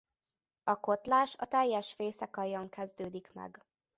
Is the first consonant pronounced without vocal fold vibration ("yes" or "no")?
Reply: yes